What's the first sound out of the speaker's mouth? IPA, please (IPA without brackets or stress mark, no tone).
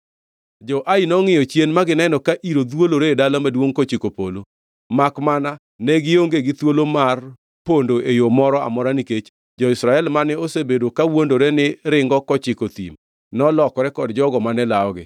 d͡ʒ